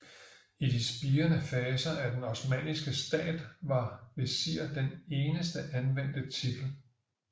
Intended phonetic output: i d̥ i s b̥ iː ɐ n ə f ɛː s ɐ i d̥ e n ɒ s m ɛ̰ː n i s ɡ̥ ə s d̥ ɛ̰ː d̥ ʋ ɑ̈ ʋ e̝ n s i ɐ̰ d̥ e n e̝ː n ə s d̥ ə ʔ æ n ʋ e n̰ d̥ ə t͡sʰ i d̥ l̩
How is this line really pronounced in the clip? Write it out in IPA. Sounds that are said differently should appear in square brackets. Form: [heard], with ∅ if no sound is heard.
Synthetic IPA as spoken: i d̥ i s b̥ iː ɐ n ə f ɛː s ɐ [æ] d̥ e n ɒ s m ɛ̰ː n i s ɡ̥ ə s d̥ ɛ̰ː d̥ ʋ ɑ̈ ʋ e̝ [∅] s i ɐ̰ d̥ e n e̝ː n ə s d̥ ə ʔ æ n ʋ e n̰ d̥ ə t͡sʰ i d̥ l̩